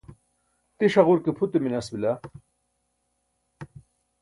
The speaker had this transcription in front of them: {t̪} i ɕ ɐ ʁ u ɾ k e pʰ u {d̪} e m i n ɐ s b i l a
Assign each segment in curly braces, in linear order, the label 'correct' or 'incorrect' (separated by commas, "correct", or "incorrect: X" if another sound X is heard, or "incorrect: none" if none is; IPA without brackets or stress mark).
correct, incorrect: t̪